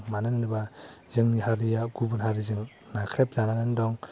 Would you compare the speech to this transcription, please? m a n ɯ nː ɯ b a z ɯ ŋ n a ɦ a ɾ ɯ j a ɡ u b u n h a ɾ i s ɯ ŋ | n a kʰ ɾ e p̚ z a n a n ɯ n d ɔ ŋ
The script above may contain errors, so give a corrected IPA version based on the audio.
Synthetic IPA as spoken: m a n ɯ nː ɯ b a z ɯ ŋ n i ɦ a ɾ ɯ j a ɡ u b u n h a ɾ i z ɯ ŋ | n a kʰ ɾ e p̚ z a n a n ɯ n d ɔ ŋ